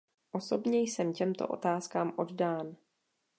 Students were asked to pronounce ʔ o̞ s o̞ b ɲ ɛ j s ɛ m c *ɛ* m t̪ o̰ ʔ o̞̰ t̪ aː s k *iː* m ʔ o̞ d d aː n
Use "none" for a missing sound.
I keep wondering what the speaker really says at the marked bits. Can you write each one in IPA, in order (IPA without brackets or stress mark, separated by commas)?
ɛ, aː